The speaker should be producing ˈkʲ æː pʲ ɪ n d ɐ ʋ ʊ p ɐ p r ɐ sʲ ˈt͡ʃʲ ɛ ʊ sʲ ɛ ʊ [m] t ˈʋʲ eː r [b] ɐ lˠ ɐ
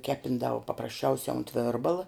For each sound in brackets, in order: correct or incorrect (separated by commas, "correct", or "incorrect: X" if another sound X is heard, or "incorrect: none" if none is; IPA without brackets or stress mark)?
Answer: incorrect: n, correct